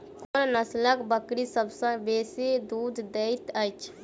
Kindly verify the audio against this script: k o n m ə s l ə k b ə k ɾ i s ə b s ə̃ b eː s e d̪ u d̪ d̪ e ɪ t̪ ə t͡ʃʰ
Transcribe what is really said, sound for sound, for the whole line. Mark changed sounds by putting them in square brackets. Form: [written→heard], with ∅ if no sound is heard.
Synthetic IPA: k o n [m→n] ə s l ə k b ə k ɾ i s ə b s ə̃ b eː s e d̪ u d̪ d̪ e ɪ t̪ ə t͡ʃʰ

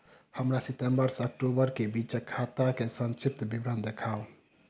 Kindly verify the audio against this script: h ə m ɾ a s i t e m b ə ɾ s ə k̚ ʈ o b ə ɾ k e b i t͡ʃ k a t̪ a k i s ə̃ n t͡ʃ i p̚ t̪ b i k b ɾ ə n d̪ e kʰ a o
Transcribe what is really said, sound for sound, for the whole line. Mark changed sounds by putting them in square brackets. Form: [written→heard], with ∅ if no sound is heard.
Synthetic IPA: h ə m ɾ a s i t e m b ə ɾ s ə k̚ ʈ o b ə ɾ k e b i t͡ʃ [k→kʰ] a t̪ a k [i→e] s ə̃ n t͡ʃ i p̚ t̪ b i [k→∅] b ɾ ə n d̪ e kʰ a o

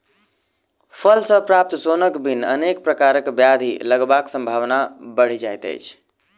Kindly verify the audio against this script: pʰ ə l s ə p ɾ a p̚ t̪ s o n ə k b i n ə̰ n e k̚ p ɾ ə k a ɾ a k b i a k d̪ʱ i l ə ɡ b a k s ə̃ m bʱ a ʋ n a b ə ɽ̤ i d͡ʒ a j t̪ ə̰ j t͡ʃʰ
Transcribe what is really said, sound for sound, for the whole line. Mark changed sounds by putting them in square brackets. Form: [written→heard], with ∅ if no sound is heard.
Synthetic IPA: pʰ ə l s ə p ɾ a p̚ t̪ s o n ə k b i n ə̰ n e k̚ p ɾ ə k a ɾ [a→ə] k b [i→j] a [k→∅] d̪ʱ i l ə ɡ b a k s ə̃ m bʱ a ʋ n a b ə ɽ̤ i d͡ʒ a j t̪ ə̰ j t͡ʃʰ

